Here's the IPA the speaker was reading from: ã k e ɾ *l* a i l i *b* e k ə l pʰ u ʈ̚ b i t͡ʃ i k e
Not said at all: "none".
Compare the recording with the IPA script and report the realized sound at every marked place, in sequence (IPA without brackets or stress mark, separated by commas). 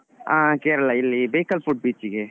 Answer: l, b